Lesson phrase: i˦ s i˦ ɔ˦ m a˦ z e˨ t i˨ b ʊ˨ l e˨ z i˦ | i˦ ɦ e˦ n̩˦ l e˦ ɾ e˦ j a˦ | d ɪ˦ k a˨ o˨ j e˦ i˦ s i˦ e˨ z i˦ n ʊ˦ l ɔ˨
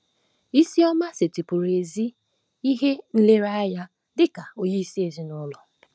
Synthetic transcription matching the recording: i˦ s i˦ ɔ˦ m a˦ s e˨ t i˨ p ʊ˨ ɾ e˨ z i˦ | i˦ ɦ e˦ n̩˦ l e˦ ɾ a˦ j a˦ | d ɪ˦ k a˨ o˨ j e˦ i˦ s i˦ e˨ z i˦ n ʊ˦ l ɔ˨